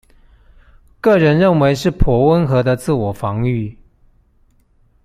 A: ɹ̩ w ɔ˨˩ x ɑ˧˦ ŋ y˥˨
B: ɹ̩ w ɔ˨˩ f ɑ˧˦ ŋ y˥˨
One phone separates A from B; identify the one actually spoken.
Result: B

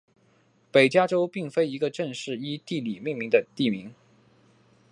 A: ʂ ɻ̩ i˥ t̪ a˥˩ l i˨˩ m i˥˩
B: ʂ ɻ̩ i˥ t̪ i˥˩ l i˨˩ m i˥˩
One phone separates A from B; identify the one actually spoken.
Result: B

